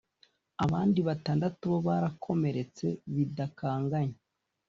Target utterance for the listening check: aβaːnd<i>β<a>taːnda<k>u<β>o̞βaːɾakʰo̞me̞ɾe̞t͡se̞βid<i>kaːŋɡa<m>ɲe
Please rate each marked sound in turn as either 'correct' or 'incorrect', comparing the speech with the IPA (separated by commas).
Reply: correct, correct, incorrect, correct, incorrect, incorrect